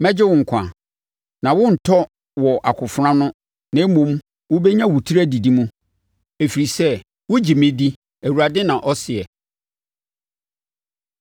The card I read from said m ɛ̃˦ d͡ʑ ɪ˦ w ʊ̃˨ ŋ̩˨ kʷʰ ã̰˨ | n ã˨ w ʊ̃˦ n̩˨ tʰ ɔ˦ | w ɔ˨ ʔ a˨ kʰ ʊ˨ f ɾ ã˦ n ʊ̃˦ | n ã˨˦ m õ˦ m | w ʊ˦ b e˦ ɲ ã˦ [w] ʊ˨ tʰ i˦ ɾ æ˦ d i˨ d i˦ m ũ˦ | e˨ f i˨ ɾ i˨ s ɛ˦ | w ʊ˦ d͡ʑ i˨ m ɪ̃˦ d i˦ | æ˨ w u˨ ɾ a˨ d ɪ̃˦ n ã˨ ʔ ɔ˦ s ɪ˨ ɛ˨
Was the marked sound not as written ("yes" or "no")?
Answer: no